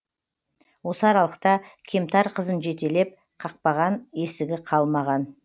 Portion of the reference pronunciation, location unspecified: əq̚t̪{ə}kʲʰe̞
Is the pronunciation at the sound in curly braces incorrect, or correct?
incorrect